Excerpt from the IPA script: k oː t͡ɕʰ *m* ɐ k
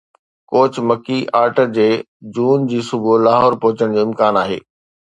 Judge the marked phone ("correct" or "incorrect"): correct